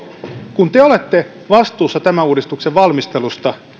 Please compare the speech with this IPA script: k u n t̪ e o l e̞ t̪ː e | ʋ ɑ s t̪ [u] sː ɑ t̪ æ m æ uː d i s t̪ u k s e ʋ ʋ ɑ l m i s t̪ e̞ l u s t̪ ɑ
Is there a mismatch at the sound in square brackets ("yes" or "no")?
yes